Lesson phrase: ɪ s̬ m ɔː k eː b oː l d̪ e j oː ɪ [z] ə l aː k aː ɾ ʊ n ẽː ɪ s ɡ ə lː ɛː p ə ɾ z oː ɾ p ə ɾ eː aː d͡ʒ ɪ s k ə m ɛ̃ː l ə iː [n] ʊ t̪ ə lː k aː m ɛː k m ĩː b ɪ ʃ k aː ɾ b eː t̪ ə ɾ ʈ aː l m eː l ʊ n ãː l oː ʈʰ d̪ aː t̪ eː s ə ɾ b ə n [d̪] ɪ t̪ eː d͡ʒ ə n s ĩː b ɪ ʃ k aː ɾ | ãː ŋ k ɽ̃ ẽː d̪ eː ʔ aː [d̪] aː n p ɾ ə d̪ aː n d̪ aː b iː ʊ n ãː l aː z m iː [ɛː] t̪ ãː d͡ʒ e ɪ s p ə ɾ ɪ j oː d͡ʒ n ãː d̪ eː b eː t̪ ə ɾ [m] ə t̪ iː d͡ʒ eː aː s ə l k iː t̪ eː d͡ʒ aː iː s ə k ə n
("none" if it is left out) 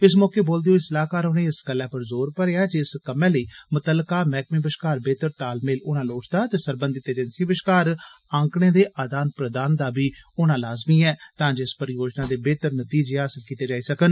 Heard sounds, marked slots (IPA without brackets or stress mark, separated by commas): s, m, d̪, d̪, ɛː, n